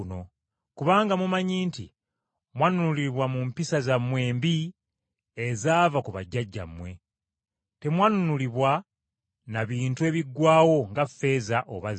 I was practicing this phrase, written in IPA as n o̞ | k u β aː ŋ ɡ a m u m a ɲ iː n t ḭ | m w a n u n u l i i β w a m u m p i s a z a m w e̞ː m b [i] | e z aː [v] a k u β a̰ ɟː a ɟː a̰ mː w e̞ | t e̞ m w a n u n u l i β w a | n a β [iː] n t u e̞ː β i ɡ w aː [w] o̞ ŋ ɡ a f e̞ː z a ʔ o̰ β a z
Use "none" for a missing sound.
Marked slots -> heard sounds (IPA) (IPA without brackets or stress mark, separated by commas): i, v, iː, w